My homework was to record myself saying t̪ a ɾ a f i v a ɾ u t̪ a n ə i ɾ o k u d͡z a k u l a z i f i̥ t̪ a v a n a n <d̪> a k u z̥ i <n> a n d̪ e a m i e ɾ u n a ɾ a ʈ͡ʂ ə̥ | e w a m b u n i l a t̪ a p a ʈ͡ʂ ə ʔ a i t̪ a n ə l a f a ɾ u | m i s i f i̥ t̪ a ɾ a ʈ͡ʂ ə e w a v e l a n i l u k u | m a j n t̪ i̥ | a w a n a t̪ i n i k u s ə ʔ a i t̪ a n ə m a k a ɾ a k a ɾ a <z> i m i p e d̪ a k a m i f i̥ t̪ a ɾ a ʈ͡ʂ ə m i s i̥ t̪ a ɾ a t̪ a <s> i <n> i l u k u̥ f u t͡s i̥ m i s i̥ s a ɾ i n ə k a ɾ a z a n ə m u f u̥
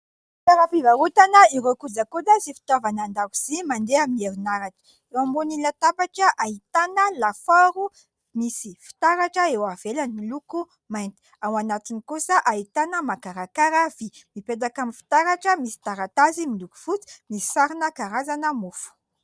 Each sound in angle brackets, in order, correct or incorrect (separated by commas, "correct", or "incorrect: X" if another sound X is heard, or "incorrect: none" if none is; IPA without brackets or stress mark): correct, incorrect: m, incorrect: v, incorrect: z, incorrect: m